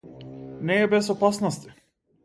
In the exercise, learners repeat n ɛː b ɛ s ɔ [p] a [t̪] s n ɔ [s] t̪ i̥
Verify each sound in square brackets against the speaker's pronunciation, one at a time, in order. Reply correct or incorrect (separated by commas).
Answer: correct, incorrect, correct